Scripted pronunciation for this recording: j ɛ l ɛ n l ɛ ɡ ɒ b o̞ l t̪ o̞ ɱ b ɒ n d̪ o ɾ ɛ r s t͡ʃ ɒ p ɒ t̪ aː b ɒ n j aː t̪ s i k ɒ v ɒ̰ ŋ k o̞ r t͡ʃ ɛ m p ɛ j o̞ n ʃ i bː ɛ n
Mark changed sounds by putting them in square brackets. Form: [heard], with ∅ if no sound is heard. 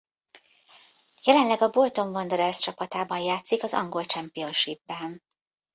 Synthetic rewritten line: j ɛ l ɛ n l ɛ ɡ ɒ b o̞ l t̪ o̞ ɱ [v] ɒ n d̪ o ɾ ɛ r s t͡ʃ ɒ p ɒ t̪ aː b ɒ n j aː t̪ s i k ɒ [z] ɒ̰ ŋ [ɡ] o̞ [l] t͡ʃ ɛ m p [i] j o̞ n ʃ i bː ɛ n